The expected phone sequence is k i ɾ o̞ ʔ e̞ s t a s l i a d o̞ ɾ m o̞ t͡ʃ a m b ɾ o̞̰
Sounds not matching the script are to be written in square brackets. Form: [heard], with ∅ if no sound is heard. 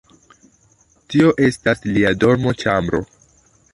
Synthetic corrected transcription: [t] i [∅] o̞ ʔ e̞ s t a s l i a d o̞ ɾ m o̞ t͡ʃ a m b ɾ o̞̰